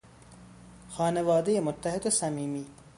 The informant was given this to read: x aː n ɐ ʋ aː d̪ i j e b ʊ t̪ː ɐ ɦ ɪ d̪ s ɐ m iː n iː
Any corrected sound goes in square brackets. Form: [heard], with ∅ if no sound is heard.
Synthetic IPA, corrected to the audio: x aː n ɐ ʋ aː d̪ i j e [m] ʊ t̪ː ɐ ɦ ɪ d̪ s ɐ m iː [m] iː